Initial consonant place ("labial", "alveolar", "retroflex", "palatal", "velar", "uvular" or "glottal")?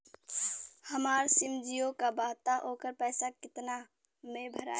glottal